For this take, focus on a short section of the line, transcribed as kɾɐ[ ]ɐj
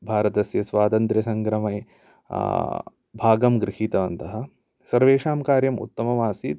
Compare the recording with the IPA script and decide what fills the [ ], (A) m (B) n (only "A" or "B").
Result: A